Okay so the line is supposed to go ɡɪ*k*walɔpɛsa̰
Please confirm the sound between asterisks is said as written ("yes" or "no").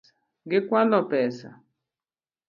yes